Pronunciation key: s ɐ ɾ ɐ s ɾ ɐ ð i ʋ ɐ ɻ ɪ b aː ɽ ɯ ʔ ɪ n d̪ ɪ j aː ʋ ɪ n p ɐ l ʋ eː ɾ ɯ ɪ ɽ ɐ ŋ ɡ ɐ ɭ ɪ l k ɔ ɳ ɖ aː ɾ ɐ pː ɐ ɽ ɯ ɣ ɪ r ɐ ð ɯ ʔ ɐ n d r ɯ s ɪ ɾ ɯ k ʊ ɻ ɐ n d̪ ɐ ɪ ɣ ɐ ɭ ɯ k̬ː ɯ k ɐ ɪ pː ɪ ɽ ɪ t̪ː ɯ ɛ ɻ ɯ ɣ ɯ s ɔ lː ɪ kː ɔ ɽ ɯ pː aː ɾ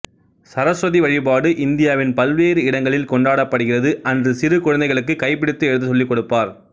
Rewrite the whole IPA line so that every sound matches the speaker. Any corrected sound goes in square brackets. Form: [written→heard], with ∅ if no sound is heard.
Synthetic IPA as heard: s ɐ ɾ ɐ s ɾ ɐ ð i ʋ ɐ ɻ ɪ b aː ɽ ɯ ʔ ɪ n d̪ ɪ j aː ʋ ɪ n p ɐ l ʋ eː ɾ ɯ ɪ ɽ ɐ ŋ ɡ ɐ ɭ ɪ l k ɔ ɳ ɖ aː [ɾ→ɽ] ɐ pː ɐ ɽ ɯ ɣ ɪ r ɐ ð ɯ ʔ ɐ n d r ɯ s ɪ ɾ ɯ k ʊ ɻ ɐ n d̪ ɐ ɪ ɣ ɐ ɭ ɯ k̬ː ɯ k ɐ ɪ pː ɪ ɽ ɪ t̪ː ɯ ɛ ɻ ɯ [ɣ→ð] ɯ s ɔ lː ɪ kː ɔ ɽ ɯ pː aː ɾ